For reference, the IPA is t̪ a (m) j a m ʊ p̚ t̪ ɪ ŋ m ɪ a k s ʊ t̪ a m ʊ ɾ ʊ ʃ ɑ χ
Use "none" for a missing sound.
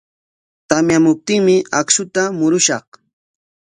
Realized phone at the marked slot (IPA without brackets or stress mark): m